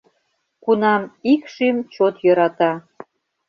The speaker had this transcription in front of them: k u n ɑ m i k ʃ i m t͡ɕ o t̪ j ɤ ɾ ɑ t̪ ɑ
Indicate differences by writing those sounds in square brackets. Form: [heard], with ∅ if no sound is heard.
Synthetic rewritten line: k u n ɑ m i k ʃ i m t͡ɕ o t̪ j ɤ ɾ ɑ t̪ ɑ